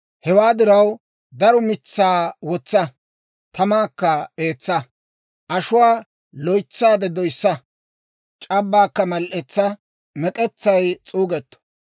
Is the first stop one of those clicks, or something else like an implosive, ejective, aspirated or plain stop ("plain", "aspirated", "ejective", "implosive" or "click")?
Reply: plain